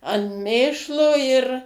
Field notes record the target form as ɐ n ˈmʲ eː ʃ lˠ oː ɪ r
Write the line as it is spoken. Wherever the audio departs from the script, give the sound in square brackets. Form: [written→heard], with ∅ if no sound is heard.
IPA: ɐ n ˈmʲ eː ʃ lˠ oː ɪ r